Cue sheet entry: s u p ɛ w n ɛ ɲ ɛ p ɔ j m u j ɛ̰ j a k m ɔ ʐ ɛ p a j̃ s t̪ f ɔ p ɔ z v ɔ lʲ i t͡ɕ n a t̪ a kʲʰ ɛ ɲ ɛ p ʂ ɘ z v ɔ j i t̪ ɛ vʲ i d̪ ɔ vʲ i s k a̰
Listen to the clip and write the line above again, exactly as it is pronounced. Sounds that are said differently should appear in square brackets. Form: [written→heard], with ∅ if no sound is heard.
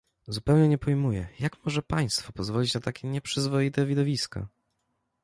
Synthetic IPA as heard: [s→z] u p ɛ w [n→ɲ] ɛ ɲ ɛ p ɔ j m u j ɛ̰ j a k m ɔ ʐ ɛ p a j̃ s t̪ f ɔ p ɔ z v ɔ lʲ i t͡ɕ n a t̪ a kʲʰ ɛ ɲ ɛ p ʂ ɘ z v ɔ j i t̪ ɛ vʲ i d̪ ɔ vʲ i s k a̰